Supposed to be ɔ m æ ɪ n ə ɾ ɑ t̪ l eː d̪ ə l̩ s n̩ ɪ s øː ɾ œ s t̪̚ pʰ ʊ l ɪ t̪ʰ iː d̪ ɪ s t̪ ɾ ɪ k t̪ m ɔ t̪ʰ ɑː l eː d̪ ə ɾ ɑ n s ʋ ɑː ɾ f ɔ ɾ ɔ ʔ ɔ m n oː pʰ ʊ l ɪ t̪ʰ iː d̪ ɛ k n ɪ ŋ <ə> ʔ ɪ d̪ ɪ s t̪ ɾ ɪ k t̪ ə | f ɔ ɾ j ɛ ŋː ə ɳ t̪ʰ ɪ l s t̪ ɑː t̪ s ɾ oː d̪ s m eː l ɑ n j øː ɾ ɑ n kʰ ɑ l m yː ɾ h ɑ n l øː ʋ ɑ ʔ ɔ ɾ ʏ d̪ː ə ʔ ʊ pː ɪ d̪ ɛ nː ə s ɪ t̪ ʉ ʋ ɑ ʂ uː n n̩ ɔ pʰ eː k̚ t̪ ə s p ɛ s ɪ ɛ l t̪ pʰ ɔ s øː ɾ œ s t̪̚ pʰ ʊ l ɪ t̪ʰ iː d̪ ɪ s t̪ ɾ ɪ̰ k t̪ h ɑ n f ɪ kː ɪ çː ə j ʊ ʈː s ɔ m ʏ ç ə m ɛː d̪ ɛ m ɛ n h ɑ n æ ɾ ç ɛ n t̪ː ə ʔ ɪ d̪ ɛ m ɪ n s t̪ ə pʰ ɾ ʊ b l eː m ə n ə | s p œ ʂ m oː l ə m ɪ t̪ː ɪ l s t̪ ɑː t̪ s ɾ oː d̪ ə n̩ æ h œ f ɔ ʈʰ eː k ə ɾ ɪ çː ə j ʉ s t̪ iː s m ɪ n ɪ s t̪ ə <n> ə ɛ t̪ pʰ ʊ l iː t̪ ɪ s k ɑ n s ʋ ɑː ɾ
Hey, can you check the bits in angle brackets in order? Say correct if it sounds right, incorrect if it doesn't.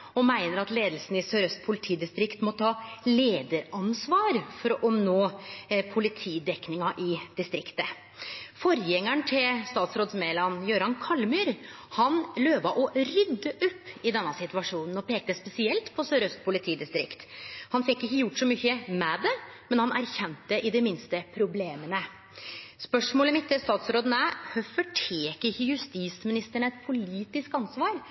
incorrect: ɑ, incorrect: ɳ

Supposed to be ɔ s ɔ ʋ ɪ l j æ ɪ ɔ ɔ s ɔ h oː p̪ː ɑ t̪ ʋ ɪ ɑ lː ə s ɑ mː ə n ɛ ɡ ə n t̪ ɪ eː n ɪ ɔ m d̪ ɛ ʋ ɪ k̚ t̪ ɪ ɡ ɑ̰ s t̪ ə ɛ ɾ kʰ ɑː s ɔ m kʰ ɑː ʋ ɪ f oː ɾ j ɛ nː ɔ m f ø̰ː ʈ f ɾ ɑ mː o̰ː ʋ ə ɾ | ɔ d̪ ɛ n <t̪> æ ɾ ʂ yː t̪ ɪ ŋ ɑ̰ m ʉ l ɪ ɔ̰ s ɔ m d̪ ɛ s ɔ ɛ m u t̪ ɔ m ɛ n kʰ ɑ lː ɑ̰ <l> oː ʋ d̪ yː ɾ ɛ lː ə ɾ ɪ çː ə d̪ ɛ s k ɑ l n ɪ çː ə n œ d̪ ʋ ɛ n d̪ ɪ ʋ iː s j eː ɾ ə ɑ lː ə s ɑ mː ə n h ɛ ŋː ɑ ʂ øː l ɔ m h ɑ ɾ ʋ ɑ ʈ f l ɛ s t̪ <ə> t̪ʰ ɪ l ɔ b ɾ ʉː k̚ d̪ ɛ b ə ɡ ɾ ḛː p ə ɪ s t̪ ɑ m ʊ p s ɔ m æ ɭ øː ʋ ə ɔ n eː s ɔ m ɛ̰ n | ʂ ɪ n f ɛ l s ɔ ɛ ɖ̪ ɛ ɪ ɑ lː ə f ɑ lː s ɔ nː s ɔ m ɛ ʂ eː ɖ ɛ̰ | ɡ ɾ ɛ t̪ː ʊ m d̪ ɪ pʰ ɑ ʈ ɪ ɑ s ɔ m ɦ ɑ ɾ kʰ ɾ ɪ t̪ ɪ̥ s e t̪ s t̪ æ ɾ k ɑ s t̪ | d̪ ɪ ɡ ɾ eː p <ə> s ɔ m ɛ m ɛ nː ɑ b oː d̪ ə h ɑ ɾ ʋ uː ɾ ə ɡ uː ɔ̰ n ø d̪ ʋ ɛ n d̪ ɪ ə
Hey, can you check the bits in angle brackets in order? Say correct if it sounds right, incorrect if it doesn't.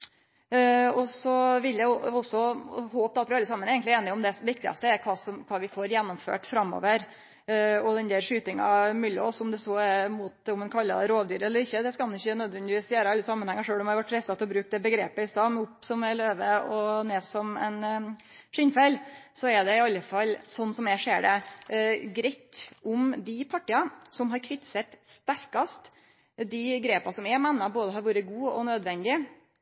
incorrect: d̪, incorrect: ɾ, incorrect: ɑ, incorrect: ɑ

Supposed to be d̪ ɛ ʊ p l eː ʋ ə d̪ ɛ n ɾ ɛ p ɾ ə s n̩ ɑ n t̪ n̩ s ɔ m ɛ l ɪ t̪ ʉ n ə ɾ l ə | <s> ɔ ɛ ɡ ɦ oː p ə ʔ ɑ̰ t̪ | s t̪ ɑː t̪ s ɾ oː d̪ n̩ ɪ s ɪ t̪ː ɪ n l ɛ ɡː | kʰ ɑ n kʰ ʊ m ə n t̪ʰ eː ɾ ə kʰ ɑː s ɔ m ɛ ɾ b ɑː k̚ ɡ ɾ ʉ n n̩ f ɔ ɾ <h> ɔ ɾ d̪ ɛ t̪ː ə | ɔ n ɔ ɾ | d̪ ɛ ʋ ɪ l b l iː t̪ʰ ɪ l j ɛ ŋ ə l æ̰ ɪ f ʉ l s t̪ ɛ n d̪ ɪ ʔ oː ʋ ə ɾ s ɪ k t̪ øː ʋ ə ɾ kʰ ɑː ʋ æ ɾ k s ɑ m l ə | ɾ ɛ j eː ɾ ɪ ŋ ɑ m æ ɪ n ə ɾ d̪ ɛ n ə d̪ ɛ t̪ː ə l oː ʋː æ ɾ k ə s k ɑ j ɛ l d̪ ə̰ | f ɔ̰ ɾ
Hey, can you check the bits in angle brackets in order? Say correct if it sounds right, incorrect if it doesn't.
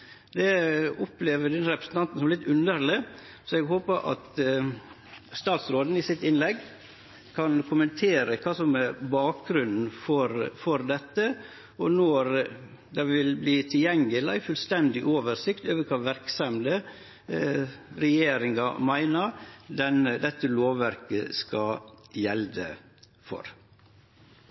correct, incorrect: f

